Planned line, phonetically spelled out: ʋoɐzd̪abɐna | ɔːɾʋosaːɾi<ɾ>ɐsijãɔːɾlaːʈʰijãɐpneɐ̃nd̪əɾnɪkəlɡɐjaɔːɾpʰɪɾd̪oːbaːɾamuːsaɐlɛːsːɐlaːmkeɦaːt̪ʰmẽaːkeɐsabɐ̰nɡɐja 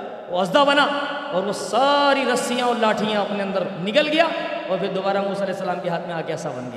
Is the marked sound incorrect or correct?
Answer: correct